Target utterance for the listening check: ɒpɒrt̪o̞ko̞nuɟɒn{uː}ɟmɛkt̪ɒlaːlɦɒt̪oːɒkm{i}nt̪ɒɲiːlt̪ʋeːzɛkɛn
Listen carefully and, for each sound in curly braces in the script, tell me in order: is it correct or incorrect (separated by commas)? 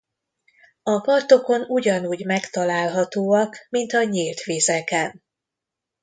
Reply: correct, correct